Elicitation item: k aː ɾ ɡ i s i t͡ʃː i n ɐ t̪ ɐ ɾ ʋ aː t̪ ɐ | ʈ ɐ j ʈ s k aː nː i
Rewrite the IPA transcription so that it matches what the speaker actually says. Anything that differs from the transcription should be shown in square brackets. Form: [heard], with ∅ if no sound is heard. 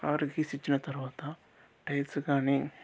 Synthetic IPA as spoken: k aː ɾ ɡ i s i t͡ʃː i n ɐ t̪ ɐ ɾ ʋ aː t̪ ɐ | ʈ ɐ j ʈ s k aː [n] i